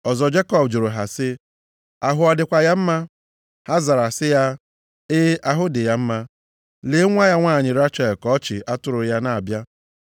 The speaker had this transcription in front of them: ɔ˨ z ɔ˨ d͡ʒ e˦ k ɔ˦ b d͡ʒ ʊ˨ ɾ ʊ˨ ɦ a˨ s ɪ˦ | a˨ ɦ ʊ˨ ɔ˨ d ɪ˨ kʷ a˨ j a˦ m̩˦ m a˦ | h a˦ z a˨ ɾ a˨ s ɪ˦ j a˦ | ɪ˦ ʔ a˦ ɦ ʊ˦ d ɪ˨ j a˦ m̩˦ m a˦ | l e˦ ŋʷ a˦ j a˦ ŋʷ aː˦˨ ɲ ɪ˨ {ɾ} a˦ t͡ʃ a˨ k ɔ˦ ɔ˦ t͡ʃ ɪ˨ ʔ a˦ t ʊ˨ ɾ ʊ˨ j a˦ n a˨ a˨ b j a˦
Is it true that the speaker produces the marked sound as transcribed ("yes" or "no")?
yes